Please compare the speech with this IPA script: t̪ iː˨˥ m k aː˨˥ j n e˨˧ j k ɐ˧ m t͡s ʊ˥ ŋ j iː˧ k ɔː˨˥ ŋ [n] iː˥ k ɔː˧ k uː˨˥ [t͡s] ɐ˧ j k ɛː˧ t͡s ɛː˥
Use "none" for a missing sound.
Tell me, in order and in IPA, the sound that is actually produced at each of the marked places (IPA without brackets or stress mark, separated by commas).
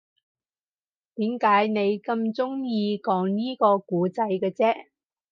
n, t͡s